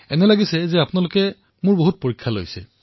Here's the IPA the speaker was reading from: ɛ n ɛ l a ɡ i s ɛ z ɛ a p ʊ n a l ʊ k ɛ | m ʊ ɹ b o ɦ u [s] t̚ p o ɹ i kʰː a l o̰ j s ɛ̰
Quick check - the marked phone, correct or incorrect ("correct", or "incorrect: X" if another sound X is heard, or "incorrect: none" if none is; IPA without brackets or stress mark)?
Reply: incorrect: none